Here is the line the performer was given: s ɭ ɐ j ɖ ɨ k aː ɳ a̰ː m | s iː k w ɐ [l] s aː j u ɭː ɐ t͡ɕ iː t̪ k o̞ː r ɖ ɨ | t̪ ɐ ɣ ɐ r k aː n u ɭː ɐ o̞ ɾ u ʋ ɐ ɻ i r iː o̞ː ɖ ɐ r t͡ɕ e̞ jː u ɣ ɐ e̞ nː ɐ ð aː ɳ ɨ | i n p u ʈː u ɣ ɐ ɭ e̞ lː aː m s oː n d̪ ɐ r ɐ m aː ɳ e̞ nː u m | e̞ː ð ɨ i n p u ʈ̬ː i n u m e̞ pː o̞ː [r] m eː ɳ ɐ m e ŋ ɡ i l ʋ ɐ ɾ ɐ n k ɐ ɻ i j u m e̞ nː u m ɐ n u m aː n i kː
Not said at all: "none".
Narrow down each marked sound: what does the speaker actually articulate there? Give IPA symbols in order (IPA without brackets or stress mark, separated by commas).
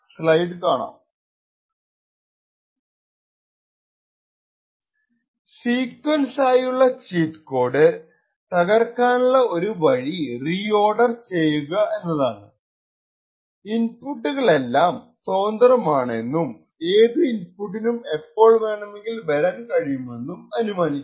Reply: l, ɭ